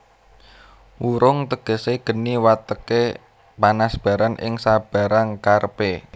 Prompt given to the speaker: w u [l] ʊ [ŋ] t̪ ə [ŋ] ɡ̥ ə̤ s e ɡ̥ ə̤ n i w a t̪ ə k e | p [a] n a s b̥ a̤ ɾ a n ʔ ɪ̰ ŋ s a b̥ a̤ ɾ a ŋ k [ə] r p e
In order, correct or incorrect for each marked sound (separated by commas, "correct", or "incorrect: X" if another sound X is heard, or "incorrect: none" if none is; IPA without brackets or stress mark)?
incorrect: ɾ, correct, incorrect: none, correct, incorrect: a